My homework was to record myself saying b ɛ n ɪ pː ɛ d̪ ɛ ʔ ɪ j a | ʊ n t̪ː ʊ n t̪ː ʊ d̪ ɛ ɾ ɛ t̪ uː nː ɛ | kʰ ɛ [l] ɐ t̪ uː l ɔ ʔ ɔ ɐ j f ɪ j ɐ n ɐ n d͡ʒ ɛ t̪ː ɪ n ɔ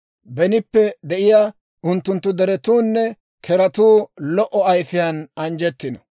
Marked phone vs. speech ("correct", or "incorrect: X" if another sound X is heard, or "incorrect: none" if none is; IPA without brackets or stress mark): incorrect: ɾ